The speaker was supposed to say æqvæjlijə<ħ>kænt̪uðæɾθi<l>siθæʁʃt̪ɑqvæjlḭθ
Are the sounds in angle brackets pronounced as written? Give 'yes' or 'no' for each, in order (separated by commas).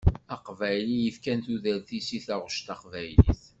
no, no